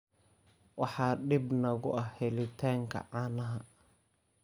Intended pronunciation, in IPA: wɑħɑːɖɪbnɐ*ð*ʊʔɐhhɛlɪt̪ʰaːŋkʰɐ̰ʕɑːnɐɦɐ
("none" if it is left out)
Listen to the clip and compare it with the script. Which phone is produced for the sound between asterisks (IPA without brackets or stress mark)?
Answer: ɣ